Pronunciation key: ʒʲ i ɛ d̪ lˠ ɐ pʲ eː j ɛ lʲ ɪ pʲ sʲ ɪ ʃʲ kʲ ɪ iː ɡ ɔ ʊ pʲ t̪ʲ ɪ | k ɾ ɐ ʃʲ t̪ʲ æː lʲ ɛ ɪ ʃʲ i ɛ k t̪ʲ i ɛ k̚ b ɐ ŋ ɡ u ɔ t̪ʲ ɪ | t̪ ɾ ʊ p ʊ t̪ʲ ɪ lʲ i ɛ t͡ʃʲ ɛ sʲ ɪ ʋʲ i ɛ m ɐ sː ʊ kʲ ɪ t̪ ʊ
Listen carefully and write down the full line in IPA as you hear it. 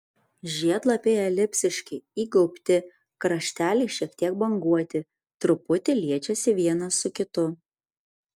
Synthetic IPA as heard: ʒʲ i ɛ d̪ lˠ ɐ pʲ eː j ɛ lʲ ɪ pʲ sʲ ɪ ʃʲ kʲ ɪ iː ɡ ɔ ʊ pʲ t̪ʲ ɪ | k ɾ ɐ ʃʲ t̪ʲ æː lʲ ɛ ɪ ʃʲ i ɛ k t̪ʲ i ɛ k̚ b ɐ ŋ ɡ u ɔ t̪ʲ ɪ | t̪ ɾ ʊ p ʊ t̪ʲ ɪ lʲ i ɛ t͡ʃʲ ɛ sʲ ɪ ʋʲ i ɛ n ɐ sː ʊ kʲ ɪ t̪ ʊ

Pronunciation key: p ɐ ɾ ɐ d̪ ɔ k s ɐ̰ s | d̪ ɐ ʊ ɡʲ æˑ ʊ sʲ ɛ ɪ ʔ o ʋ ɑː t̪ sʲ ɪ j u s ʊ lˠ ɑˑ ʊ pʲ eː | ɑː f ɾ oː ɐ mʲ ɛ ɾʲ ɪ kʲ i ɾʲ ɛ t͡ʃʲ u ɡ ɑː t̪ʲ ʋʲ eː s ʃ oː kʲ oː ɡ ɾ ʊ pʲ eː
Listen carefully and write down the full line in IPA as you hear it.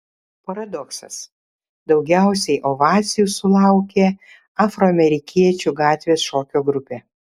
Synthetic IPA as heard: p ɐ ɾ ɐ d̪ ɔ k s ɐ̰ s | d̪ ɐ ʊ ɡʲ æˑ ʊ sʲ ɛ ɪ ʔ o ʋ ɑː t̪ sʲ ɪ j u s ʊ lˠ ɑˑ ʊ kʲ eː | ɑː f ɾ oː ɐ mʲ ɛ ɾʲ ɪ kʲ i ɛ t͡ʃʲ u ɡ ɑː t̪ʲ ʋʲ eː s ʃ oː kʲ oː ɡ ɾ ʊ pʲ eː

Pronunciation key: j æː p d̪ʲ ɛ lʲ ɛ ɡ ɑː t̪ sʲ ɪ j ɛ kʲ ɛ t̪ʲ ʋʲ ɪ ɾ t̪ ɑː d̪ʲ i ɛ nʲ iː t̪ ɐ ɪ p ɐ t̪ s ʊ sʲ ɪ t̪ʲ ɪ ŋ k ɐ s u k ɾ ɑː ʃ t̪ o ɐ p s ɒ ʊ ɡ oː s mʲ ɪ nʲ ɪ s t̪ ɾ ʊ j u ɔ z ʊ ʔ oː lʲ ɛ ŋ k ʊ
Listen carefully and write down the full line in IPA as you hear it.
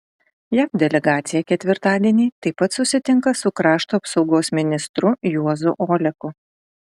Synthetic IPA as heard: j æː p d̪ʲ ɛ lʲ ɛ ɡ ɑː t̪ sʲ ɪ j ɛ kʲ ɛ t̪ʲ ʋʲ ɪ ɾ t̪ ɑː d̪ʲ i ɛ nʲ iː t̪ ɐ ɪ p ɐ t̪ s ʊ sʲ ɪ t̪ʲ ɪ ŋ k ɐ s ʊ k ɾ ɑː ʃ t̪ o ɐ p s ɒ ʊ ɡ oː s mʲ ɪ nʲ ɪ s t̪ ɾ ʊ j u ɔ z ʊ ʔ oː lʲ ɛ k ʊ

